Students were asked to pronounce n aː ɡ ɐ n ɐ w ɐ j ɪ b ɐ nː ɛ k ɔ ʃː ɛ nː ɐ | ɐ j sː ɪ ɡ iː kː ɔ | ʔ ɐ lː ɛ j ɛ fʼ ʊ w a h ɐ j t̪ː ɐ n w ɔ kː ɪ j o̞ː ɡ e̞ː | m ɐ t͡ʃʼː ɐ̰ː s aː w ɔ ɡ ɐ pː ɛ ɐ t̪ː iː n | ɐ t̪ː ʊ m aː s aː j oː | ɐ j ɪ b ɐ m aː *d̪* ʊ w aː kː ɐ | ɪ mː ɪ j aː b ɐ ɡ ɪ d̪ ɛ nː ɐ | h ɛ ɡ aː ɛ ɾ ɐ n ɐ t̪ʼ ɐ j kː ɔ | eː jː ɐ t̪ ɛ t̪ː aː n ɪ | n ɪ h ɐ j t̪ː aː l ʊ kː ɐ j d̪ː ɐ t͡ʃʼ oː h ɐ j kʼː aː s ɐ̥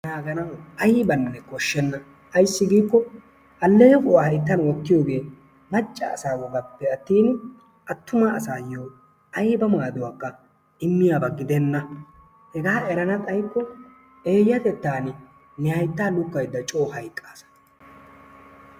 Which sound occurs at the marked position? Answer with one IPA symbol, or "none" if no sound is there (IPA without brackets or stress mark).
d̪